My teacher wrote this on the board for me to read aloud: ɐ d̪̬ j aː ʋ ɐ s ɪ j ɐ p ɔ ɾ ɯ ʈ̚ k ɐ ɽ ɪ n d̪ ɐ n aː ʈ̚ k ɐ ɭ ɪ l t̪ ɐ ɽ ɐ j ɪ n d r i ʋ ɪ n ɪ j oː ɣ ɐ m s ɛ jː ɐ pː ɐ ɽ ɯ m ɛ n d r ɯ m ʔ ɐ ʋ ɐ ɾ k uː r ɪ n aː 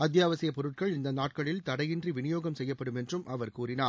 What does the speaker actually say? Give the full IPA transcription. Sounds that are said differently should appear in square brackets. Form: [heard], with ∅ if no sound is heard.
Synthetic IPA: ɐ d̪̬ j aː ʋ ɐ s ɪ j ɐ p ɔ ɾ ɯ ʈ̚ k ɐ [ɭ] ɪ n d̪ ɐ n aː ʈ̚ k ɐ ɭ ɪ l t̪ ɐ ɽ ɐ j ɪ n d r i ʋ ɪ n ɪ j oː ɣ ɐ m s ɛ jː ɐ pː ɐ ɽ ɯ m ɛ n d r ɯ m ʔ ɐ ʋ ɐ ɾ k uː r ɪ n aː